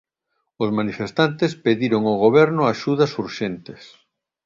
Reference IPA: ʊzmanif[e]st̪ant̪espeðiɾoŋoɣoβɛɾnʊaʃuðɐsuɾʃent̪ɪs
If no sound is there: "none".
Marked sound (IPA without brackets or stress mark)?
e